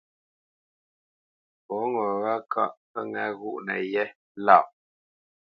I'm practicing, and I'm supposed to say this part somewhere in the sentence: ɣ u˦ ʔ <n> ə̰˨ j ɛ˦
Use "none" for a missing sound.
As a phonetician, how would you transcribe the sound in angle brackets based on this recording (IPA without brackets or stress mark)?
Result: n